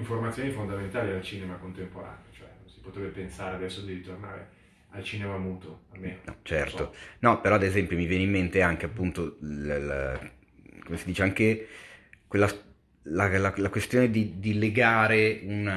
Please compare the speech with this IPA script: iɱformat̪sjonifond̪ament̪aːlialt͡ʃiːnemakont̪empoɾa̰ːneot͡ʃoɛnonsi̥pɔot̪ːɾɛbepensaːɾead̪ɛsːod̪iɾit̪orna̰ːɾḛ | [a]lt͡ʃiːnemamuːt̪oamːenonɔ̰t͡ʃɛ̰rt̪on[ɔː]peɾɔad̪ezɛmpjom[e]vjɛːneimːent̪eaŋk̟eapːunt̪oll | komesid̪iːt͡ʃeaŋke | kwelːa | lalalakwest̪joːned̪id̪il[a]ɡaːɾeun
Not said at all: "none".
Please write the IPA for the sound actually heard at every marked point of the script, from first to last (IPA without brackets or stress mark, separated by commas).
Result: a, ɔ, i, e